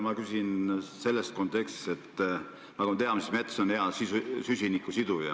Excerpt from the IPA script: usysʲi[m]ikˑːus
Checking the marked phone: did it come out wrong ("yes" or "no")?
yes